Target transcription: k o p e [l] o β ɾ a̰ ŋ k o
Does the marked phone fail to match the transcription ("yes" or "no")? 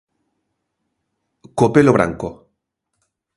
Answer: no